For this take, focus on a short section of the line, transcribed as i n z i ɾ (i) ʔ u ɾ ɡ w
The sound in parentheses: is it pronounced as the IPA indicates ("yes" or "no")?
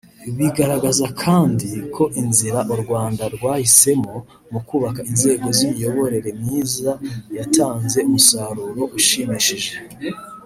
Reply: no